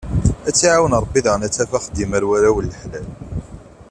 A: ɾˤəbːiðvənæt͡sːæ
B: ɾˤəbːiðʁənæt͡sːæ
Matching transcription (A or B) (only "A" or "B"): B